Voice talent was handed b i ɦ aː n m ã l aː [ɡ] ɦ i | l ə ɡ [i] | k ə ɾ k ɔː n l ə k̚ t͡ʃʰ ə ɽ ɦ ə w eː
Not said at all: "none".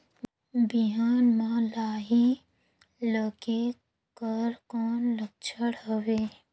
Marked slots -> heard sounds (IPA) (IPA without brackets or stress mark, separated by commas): none, e